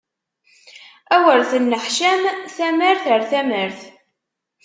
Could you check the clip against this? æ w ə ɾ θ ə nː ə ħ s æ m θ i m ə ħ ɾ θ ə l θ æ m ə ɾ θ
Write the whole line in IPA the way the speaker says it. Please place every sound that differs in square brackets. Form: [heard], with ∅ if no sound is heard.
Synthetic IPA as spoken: æ w ə ɾ θ ə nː ə ħ [ʃ] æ m θ [æ] m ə [∅] ɾ θ ə [ɾ] θ æ m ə ɾ θ